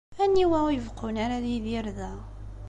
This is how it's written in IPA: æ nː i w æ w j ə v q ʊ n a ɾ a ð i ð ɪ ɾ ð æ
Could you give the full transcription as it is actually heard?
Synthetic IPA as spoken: æ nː i w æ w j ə v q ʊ n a ɾ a ð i ð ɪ ɾ ð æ